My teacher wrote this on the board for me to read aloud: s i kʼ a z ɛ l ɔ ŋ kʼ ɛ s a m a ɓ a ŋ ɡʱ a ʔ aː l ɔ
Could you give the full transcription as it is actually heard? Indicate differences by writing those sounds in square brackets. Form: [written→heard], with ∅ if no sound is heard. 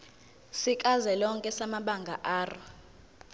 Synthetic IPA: s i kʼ a z ɛ l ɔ ŋ kʼ ɛ s a m a ɓ a ŋ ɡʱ a ʔ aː [l→r] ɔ